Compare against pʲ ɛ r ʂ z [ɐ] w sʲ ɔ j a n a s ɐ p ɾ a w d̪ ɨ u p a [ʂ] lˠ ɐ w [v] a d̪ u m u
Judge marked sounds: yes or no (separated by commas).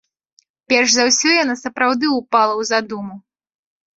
no, no, no